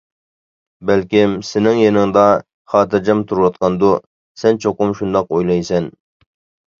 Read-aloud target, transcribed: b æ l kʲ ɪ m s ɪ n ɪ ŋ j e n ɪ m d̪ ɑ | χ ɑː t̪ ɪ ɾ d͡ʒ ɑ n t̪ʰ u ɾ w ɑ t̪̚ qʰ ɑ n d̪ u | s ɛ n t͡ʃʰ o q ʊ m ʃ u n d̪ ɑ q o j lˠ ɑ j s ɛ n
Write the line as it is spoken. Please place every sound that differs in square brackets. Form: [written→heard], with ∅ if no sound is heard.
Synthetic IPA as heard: b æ l kʲ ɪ m s ɪ n ɪ ŋ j e n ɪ [m→ŋ] d̪ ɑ | χ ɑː t̪ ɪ ɾ d͡ʒ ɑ [n→m] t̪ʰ u ɾ w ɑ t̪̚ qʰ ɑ n d̪ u | s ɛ n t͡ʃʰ o q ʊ m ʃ u n d̪ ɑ q o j lˠ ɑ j s ɛ n